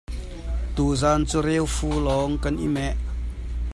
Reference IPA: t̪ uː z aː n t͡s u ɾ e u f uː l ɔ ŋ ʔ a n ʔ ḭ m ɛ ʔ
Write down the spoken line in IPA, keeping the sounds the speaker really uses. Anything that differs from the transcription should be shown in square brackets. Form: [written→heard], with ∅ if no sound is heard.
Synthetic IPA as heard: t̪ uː z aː n t͡s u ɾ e [u→w] f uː l ɔ ŋ [ʔ→k] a n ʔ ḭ m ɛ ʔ